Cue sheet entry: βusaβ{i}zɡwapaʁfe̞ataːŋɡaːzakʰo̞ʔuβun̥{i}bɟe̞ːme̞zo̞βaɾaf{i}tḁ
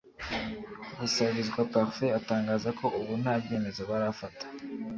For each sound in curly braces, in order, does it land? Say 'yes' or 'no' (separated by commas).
yes, no, no